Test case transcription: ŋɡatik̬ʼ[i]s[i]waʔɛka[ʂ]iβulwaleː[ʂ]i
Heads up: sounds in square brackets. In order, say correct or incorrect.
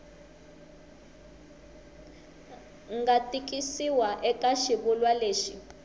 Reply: correct, correct, incorrect: ʃ, incorrect: ʃ

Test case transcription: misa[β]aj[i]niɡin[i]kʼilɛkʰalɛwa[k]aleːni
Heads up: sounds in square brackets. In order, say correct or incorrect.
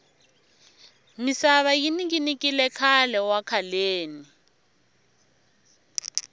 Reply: correct, correct, correct, incorrect: kʰ

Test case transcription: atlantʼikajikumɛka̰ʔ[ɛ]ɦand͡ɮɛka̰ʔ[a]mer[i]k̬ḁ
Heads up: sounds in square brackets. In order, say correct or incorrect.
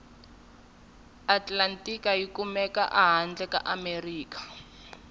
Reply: incorrect: a, correct, incorrect: iː

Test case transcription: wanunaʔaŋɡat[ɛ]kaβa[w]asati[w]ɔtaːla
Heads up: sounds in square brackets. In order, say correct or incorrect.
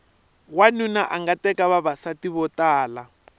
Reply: correct, incorrect: β, incorrect: β

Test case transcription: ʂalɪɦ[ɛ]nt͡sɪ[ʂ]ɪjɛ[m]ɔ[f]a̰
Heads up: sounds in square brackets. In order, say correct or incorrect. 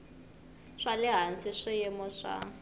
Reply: incorrect: a, correct, correct, incorrect: ʂ

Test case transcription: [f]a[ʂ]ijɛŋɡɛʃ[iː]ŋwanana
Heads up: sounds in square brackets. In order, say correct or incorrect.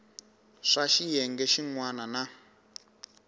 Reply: incorrect: ʂ, incorrect: ʃ, incorrect: i

